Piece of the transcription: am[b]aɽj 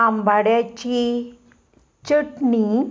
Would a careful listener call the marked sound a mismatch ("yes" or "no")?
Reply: no